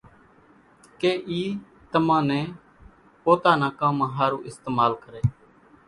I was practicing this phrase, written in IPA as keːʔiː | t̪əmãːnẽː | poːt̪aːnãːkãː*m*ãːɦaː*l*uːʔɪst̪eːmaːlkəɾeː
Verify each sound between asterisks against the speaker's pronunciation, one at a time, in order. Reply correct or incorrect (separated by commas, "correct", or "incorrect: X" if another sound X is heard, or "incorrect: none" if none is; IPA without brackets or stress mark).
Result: correct, incorrect: ɾ